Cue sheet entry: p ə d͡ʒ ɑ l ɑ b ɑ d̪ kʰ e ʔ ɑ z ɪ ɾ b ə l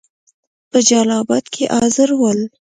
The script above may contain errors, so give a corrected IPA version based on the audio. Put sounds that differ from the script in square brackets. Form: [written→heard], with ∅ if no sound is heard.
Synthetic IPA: p ə d͡ʒ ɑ l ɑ b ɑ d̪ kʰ e ʔ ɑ z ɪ ɾ [b→w] ə l